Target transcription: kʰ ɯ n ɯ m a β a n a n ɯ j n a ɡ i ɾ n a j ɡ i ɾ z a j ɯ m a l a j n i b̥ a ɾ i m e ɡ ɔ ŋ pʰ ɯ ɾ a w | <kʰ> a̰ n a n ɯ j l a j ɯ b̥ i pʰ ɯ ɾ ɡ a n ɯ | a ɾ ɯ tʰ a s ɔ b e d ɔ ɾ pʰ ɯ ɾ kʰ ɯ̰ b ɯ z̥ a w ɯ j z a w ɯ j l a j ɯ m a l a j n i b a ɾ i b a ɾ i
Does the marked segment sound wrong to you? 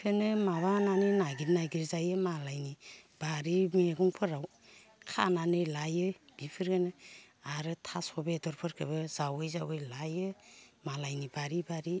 no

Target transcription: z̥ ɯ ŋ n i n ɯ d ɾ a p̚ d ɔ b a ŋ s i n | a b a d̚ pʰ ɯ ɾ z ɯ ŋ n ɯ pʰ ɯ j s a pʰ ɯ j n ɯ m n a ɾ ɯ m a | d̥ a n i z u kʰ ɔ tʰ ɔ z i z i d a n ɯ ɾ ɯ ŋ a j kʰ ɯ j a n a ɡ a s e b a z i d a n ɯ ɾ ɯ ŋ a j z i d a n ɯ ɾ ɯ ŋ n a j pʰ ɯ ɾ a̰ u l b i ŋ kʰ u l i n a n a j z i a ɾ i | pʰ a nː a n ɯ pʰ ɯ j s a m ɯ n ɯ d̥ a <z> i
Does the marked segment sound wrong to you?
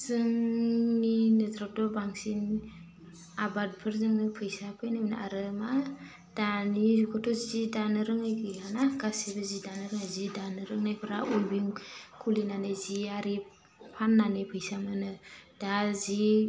no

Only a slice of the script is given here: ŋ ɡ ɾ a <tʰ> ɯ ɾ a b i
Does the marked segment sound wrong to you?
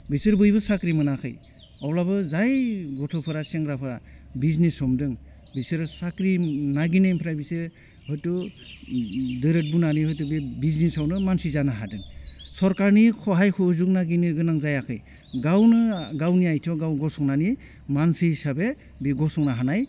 yes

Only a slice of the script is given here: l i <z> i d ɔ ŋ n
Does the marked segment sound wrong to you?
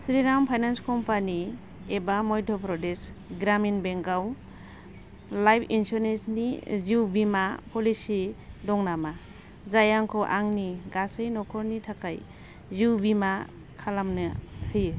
yes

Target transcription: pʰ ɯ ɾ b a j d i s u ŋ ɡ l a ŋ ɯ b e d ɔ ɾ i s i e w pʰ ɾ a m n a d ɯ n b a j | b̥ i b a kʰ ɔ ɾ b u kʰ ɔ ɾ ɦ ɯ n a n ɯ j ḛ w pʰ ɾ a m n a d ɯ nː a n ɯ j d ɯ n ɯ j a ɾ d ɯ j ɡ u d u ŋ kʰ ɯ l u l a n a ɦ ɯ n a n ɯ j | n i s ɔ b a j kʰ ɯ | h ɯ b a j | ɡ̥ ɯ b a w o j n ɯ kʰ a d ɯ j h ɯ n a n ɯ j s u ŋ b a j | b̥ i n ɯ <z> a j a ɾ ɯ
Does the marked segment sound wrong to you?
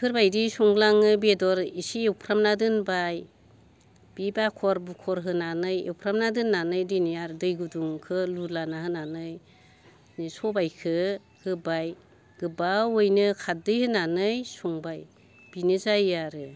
no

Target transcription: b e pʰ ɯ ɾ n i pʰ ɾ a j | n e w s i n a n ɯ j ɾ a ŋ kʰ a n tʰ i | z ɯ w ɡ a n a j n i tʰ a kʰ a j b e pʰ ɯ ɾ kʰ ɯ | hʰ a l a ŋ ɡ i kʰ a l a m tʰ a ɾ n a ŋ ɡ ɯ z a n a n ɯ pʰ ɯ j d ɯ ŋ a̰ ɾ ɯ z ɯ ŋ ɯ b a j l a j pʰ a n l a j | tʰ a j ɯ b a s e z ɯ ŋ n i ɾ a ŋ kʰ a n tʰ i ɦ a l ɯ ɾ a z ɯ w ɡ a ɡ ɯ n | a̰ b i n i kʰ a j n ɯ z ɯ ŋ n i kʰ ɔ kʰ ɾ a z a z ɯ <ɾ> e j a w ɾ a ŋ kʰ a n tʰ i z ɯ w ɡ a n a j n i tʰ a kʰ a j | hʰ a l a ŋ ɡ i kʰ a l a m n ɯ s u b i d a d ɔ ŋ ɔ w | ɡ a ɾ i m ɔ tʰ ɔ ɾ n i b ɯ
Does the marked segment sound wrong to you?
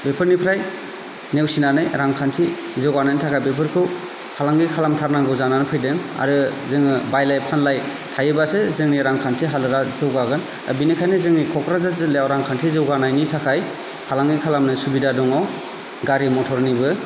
yes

